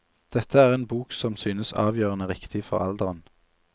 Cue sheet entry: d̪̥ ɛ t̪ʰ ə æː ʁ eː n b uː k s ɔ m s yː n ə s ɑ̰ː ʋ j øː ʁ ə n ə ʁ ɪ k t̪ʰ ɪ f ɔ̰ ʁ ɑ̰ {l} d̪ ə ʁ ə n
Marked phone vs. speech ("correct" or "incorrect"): correct